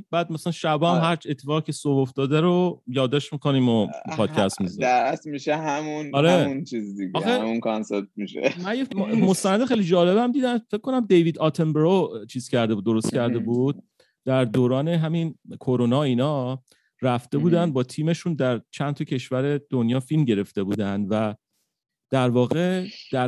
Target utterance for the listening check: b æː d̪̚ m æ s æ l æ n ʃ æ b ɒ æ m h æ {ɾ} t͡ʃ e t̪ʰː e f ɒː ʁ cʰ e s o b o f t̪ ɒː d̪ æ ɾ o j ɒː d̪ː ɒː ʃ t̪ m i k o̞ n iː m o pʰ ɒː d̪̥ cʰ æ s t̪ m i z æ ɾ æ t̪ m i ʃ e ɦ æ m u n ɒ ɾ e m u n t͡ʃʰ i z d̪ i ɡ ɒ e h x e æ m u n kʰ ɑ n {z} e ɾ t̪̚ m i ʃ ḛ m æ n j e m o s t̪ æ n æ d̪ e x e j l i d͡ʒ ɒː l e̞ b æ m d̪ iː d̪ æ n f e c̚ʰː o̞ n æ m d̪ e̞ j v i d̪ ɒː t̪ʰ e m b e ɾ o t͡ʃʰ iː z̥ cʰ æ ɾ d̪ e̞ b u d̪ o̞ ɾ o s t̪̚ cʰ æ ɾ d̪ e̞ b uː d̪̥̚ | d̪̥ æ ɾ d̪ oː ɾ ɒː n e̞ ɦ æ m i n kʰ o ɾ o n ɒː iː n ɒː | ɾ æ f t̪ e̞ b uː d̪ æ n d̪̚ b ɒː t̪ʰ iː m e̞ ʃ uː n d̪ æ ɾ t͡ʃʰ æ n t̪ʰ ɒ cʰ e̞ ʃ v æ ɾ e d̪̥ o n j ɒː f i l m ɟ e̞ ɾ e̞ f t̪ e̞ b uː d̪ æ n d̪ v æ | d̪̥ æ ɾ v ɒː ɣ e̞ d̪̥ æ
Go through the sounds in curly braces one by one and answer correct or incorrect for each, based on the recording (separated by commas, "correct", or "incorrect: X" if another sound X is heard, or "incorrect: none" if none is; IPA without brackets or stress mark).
correct, incorrect: s